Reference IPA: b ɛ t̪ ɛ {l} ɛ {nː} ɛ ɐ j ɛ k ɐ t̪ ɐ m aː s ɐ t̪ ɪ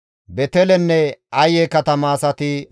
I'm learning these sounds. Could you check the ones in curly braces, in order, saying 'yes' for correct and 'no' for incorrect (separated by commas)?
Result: yes, yes